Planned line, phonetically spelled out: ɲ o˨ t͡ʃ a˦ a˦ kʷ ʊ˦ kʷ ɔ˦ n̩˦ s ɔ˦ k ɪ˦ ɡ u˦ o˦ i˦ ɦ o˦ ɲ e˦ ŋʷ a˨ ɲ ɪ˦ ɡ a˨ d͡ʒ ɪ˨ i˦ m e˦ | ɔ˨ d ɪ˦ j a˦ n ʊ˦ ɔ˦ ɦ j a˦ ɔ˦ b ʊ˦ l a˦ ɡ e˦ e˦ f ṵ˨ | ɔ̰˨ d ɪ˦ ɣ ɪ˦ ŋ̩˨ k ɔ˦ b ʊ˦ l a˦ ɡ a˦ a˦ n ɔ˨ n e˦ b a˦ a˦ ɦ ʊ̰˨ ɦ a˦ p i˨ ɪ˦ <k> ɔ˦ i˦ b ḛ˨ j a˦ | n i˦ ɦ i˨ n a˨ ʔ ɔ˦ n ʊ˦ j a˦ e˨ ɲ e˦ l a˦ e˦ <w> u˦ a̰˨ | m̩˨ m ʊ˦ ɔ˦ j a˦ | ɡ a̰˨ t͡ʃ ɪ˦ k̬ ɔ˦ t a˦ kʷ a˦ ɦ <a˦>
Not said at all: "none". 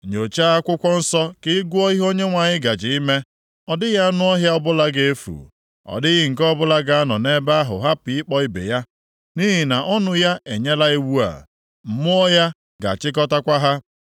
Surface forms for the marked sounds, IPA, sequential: k͡p, w, a˦

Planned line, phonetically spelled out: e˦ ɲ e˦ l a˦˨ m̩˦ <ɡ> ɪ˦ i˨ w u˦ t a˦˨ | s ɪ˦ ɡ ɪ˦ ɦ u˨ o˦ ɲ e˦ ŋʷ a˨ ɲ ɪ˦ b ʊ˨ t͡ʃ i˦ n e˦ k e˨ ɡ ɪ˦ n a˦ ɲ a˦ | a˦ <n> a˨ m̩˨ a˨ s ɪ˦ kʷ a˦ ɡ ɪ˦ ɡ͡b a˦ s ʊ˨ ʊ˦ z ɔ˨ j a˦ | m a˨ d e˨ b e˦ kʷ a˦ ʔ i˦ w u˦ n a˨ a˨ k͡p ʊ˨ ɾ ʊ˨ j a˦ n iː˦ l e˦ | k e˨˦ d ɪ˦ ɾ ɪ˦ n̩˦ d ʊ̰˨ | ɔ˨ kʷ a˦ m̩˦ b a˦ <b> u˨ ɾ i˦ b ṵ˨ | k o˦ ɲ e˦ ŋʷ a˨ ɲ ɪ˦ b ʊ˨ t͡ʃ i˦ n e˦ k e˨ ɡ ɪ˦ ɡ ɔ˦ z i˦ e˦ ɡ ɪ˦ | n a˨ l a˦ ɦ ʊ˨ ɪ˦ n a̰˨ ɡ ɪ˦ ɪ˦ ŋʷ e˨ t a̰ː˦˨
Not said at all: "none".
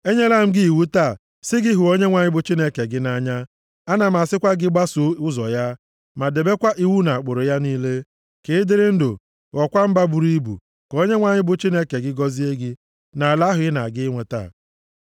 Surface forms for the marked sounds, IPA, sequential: ɡ, n, b

